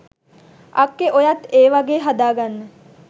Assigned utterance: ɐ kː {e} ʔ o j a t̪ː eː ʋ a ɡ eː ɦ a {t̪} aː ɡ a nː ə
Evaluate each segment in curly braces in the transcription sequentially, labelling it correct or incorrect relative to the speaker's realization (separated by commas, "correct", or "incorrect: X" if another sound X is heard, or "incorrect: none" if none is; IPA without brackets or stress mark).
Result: correct, incorrect: d̪